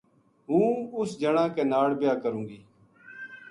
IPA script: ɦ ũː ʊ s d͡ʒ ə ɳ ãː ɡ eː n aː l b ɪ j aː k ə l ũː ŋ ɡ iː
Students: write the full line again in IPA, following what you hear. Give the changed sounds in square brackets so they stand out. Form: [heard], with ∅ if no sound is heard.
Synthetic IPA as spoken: ɦ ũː ʊ s d͡ʒ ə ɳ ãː [k] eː n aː [ɽ] b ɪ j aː k ə [ɾ] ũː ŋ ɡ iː